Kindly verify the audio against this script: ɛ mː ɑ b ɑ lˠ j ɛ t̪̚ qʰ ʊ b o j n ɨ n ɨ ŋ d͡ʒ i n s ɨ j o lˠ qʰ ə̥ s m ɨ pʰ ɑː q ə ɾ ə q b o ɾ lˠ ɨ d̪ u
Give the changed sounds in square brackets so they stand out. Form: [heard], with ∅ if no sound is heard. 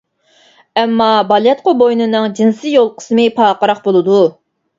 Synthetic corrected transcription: ɛ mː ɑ b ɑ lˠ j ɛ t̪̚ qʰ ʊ b o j n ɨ n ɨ ŋ d͡ʒ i n s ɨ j o lˠ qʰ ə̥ s m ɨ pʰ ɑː q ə ɾ [ɑ] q b o [∅] lˠ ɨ d̪ u